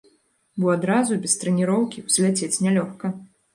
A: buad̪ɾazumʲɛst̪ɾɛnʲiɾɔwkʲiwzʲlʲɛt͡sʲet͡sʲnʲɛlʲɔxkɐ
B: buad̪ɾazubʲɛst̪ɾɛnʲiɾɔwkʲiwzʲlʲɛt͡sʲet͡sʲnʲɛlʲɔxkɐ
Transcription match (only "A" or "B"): B